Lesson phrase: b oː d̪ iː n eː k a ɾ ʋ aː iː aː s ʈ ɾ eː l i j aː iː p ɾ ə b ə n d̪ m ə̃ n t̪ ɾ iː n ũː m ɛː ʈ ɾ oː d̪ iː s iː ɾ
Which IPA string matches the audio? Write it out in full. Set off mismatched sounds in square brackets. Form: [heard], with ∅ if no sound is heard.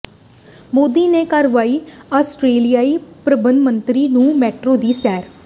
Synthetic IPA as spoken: [m] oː d̪ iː n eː k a ɾ ʋ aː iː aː s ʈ ɾ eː l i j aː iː p ɾ ə b ə n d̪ m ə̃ n t̪ ɾ iː n ũː m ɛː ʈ ɾ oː d̪ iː s [ɛː] ɾ

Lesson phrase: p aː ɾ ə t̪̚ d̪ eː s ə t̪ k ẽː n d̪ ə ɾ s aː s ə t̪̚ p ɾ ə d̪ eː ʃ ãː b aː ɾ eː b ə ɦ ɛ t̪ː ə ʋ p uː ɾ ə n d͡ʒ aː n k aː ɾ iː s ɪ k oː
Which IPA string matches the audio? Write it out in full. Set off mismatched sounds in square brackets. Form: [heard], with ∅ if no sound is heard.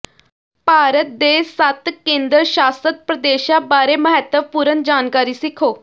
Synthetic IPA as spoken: p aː ɾ ə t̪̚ d̪ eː s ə t̪ k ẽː n d̪ ə ɾ [ʃ] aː s ə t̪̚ p ɾ ə d̪ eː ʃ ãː b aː ɾ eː [m] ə ɦ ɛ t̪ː ə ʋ p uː ɾ ə n d͡ʒ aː n k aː ɾ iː s ɪ [kʰ] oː

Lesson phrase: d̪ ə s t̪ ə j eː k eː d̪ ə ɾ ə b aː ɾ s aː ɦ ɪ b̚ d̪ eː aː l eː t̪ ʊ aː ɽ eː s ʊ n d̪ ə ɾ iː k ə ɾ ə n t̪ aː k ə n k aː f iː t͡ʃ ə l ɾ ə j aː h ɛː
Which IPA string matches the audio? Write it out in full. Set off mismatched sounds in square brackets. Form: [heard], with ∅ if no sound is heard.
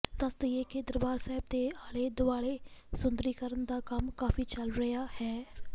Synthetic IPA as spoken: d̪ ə s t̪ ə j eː k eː d̪ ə ɾ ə b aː ɾ s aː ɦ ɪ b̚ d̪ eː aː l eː [d̪] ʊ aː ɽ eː s ʊ n d̪ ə ɾ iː k ə ɾ ə n [d̪] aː k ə [m] k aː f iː t͡ʃ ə l ɾ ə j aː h ɛː

